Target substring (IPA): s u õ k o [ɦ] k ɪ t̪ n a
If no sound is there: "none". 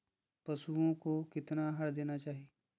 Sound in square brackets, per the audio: none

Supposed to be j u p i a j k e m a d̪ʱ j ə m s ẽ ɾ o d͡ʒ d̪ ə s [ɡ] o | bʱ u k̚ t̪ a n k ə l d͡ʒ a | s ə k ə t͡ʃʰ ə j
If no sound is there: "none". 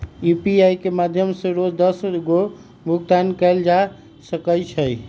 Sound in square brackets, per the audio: ɡ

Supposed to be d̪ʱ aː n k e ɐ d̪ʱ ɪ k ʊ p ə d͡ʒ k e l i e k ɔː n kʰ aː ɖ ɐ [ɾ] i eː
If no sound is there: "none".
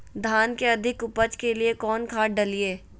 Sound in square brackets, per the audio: l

